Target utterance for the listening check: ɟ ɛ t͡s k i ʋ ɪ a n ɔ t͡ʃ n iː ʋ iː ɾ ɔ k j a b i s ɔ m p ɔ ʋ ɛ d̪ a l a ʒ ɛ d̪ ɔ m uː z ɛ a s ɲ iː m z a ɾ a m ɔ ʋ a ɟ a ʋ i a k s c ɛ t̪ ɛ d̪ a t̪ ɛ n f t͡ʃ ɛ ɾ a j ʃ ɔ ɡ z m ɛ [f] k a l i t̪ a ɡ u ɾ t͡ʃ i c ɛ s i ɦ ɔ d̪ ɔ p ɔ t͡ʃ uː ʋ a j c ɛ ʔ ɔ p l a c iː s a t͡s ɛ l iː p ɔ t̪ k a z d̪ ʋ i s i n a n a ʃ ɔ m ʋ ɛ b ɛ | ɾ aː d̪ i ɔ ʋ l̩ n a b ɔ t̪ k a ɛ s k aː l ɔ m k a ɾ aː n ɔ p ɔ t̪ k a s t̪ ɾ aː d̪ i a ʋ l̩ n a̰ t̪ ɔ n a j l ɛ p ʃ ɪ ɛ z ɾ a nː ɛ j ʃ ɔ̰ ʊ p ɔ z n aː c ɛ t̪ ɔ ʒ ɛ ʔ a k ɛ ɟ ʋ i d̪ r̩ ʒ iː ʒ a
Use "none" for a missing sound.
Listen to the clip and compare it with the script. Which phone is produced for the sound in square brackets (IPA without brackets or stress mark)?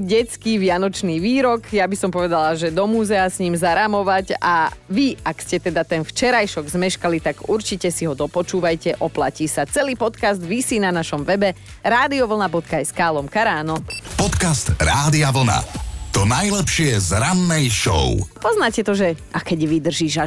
ʃ